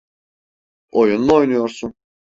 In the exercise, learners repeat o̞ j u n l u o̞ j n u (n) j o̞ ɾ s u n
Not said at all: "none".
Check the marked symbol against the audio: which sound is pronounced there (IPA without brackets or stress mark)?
none